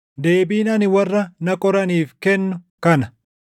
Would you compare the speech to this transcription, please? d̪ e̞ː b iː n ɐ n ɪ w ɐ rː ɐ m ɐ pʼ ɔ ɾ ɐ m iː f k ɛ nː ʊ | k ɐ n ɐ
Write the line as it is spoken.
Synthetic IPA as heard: d̪ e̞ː b iː n ɐ n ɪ w ɐ rː ɐ n ɐ kʼ ɔ ɾ ɐ n iː f k ɛ nː ʊ | k ɐ n ɐ